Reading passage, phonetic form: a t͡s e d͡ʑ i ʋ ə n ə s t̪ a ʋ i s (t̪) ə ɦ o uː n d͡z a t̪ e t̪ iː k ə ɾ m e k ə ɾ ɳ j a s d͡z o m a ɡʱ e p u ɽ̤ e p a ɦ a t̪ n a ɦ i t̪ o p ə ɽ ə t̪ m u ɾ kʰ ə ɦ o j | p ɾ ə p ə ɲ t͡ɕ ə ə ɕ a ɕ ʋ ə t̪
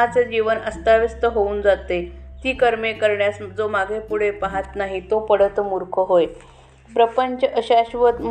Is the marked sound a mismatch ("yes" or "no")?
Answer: no